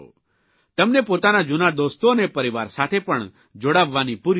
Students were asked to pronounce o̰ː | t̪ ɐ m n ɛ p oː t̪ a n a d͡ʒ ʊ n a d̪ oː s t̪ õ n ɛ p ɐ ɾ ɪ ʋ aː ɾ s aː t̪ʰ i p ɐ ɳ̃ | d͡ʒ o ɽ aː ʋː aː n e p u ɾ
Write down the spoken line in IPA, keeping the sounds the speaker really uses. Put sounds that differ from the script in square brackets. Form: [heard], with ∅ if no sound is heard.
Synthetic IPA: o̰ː | t̪ ɐ m n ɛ p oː t̪ a n a d͡ʒ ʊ n a d̪ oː s t̪ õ n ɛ p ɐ ɾ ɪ ʋ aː ɾ s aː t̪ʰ [e] p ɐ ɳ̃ | d͡ʒ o ɽ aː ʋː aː n [i] p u ɾ